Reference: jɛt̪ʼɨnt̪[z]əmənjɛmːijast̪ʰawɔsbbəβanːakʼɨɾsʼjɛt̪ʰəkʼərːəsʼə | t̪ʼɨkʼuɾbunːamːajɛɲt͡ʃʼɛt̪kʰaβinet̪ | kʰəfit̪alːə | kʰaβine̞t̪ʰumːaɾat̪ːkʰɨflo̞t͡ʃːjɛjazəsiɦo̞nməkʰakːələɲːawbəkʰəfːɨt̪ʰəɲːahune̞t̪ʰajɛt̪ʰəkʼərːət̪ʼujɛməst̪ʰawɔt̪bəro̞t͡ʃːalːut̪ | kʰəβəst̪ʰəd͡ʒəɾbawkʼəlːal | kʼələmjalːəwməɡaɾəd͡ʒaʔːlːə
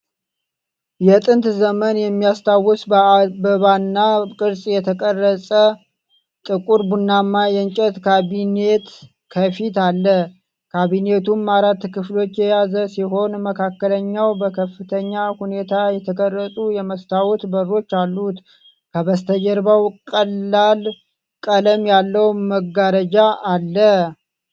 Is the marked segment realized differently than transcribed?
no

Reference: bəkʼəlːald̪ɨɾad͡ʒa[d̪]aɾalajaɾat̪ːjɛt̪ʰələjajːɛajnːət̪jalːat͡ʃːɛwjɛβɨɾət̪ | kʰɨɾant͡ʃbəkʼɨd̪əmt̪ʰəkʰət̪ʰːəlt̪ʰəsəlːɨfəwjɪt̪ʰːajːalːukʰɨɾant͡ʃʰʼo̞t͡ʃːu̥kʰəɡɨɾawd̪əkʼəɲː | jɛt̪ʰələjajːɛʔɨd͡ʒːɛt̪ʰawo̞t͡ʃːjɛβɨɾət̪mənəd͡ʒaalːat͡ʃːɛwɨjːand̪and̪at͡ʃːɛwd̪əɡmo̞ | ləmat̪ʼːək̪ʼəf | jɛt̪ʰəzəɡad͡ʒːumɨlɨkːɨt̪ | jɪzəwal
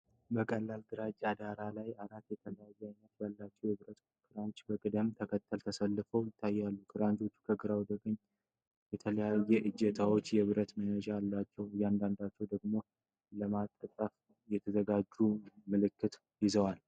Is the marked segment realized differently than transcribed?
no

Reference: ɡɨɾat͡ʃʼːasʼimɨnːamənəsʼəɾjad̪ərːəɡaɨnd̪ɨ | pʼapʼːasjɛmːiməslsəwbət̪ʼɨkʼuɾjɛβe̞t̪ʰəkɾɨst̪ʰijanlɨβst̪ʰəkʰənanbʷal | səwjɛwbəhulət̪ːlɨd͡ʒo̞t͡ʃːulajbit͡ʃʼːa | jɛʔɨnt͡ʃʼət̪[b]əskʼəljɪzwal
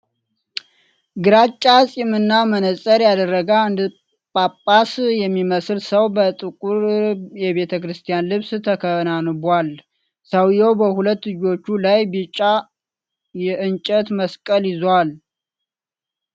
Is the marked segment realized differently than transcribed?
yes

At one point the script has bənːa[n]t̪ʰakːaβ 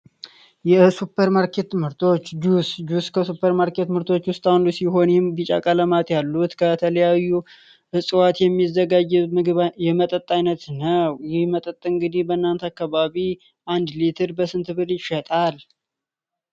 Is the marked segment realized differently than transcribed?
no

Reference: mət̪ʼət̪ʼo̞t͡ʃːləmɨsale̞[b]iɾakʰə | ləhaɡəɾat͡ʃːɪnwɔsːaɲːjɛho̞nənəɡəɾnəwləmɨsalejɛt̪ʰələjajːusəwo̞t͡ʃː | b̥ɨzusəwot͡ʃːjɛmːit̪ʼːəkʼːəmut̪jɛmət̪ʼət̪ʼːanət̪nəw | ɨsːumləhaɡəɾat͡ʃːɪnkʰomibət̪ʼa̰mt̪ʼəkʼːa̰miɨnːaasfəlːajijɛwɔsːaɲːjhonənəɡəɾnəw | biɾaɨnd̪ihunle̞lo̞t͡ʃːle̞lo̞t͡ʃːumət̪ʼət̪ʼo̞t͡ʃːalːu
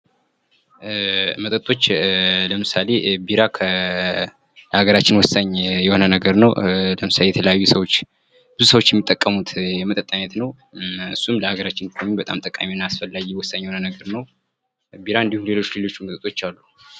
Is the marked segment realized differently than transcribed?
no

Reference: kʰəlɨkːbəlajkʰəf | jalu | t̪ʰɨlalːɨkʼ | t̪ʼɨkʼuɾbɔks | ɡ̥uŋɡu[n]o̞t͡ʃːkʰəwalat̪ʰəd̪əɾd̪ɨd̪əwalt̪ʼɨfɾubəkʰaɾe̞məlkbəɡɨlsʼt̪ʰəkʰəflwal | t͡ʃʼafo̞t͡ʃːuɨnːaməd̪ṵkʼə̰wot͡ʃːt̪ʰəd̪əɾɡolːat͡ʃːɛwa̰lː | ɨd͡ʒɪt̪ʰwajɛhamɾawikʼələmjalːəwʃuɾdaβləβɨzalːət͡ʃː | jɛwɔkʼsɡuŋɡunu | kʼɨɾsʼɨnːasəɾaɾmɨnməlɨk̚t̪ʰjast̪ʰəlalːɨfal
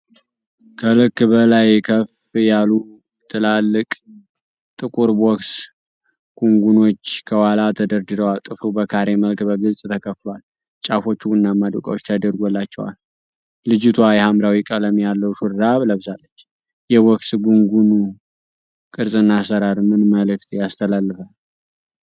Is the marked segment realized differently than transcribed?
no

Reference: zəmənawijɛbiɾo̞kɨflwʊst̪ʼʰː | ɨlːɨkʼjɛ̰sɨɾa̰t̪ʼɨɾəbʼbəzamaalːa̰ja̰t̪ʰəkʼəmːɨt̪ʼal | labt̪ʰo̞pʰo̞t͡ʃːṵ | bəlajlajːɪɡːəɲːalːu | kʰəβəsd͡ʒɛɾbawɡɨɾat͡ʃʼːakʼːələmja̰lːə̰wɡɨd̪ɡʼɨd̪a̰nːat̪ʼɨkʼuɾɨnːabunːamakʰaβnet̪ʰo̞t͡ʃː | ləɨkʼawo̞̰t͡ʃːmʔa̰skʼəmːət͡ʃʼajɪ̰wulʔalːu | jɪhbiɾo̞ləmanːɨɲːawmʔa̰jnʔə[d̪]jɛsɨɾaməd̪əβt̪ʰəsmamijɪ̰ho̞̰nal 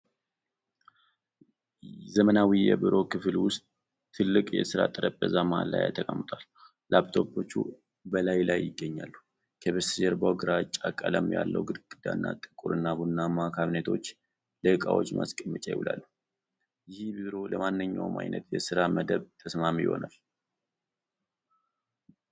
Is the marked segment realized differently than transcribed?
yes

